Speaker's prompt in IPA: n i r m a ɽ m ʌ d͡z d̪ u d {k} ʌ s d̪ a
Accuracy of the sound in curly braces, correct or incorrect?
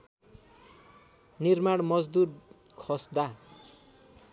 incorrect